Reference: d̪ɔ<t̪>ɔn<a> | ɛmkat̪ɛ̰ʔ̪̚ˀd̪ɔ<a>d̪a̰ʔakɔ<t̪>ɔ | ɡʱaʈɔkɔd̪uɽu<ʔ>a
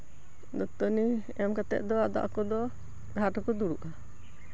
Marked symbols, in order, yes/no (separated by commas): yes, no, yes, no, yes